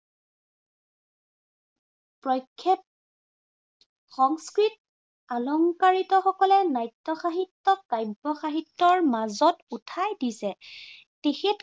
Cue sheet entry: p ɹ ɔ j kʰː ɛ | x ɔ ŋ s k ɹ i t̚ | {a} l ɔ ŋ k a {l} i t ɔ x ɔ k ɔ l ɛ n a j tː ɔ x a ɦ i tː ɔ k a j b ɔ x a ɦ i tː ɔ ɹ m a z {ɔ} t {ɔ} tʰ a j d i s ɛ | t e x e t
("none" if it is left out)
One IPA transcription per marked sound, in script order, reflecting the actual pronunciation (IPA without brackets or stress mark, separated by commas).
a, ɹ, ɔ, u